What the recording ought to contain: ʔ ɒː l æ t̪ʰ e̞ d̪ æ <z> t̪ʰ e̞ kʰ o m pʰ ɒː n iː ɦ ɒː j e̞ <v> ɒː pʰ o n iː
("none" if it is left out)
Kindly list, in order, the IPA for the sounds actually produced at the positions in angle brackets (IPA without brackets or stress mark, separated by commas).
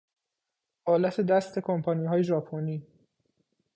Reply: s, ʒ